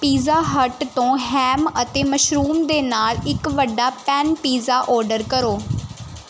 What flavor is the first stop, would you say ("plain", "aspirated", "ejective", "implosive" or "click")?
plain